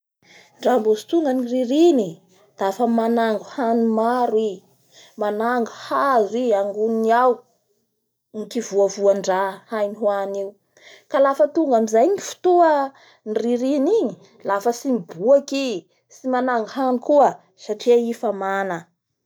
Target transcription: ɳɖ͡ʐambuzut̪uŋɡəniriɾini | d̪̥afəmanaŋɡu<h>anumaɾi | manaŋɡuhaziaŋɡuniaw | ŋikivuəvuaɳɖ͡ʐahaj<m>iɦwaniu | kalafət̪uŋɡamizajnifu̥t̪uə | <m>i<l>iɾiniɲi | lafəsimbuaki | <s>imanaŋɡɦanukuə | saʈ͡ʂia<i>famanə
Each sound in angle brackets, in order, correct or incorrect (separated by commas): correct, incorrect, incorrect, incorrect, correct, correct